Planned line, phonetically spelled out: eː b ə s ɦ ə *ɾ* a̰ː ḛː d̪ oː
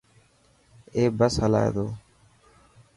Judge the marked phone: incorrect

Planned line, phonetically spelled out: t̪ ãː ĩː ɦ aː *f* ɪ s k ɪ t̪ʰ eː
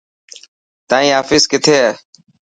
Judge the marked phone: correct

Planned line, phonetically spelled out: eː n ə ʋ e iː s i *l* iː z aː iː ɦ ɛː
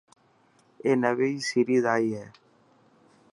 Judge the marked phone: incorrect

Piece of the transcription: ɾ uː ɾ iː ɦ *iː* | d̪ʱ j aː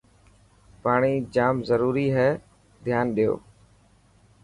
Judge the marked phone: incorrect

